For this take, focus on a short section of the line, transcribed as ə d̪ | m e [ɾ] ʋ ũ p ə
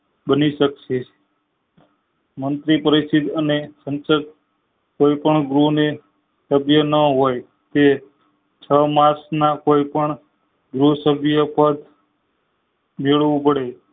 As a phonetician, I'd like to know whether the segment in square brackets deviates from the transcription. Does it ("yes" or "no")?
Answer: yes